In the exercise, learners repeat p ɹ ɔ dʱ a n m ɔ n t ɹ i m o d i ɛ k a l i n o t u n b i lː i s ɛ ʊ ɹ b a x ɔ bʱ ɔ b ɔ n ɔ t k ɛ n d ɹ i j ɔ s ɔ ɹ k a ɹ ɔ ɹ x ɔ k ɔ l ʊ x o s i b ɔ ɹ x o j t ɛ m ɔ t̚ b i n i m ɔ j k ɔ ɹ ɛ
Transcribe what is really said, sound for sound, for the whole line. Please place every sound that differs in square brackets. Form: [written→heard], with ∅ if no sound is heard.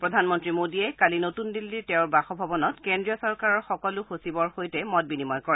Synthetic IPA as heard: p ɹ ɔ dʱ a n m ɔ n t ɹ i m o d i ɛ k a l i n o t u n [b→d] i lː i [s→t] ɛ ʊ ɹ b a x ɔ bʱ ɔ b ɔ n ɔ t k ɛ n d ɹ i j ɔ s ɔ ɹ k a ɹ ɔ ɹ x ɔ k ɔ l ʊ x o s i b ɔ ɹ x o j t ɛ m ɔ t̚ b i n i m ɔ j k ɔ ɹ ɛ

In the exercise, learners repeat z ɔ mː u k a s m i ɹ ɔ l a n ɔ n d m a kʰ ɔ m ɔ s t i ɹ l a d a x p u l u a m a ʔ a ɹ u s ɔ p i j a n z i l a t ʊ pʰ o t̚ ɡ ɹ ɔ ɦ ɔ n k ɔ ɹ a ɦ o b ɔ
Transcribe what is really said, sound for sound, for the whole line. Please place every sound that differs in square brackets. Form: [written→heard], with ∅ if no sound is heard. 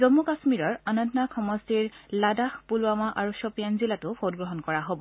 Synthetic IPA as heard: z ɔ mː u k a s m i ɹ ɔ [l→ɹ] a n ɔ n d [m→n] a kʰ ɔ m ɔ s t i ɹ l a d a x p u l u a m a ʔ a ɹ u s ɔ p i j a n z i l a t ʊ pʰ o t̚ ɡ ɹ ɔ ɦ ɔ n k ɔ ɹ a ɦ o b ɔ

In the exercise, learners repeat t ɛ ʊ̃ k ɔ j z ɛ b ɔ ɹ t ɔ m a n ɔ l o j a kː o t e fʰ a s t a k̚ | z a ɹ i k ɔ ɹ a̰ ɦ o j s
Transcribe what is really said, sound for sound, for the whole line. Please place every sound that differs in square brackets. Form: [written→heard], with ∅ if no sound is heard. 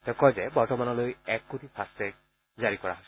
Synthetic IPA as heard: t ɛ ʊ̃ k ɔ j z ɛ b ɔ ɹ t ɔ m a n ɔ l o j [a→ɛ] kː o t [e→i] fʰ a s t [a→ɛ] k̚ | z a ɹ i k ɔ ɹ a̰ ɦ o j s

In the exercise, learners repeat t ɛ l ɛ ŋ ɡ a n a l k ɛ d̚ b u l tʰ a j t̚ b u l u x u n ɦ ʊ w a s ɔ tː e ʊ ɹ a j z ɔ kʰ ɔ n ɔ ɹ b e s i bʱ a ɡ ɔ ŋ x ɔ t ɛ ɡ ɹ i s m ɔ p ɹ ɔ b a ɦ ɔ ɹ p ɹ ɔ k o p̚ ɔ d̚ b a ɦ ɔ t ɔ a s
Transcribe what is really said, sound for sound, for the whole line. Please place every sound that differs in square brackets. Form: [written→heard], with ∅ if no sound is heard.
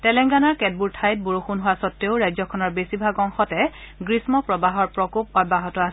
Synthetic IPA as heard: t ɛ l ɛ ŋ ɡ a n a [l→ɹ] k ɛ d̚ b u [l→ɹ] tʰ a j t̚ b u [l→ɹ] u x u n ɦ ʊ w a s ɔ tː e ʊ ɹ a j z ɔ kʰ ɔ n ɔ ɹ b e s i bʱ a ɡ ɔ ŋ x ɔ t ɛ ɡ ɹ i s m ɔ p ɹ ɔ b a ɦ ɔ ɹ p ɹ ɔ k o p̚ ɔ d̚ b a ɦ ɔ t ɔ a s

